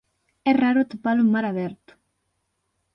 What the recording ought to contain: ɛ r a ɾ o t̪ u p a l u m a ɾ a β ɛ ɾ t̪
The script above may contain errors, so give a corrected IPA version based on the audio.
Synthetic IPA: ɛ r a ɾ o t̪ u p a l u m a ɾ a β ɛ ɾ t̪